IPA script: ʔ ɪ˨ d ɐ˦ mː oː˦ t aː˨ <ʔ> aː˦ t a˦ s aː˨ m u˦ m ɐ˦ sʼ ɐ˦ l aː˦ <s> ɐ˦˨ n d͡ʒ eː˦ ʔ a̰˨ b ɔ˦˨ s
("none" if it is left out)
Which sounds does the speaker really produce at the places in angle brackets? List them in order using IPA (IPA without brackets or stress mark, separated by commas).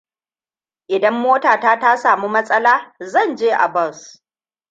t, z